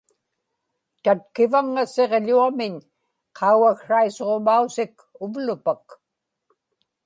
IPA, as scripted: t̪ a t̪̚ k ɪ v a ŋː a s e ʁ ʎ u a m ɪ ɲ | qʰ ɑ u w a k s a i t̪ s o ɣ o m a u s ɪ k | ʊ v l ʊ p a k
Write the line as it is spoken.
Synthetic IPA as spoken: t̪ a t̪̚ k ɪ v a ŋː a s e ʁ ʎ u a m ɪ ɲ | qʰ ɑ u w a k ʂ a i s o ʁ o m a u s ɪ k | ʊ v l ʊ p a k